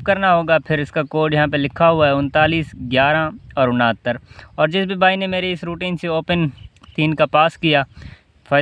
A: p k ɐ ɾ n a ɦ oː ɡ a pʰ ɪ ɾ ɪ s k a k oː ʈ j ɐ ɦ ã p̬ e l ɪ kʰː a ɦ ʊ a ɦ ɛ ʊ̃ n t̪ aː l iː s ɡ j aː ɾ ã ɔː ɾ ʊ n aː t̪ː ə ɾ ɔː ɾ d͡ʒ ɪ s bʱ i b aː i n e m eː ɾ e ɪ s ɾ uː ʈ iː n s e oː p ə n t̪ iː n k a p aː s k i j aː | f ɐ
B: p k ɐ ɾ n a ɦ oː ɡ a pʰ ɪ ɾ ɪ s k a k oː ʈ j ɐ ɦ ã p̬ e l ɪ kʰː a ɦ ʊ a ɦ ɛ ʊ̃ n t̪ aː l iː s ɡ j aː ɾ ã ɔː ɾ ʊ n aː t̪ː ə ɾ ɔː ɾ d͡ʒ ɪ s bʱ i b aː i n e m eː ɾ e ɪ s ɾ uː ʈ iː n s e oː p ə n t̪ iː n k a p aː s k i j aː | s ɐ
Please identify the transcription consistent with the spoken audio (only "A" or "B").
A